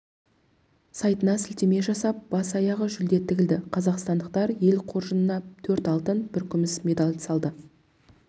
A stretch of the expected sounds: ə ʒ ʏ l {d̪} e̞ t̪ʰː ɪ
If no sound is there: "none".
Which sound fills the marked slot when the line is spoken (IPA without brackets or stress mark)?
d̪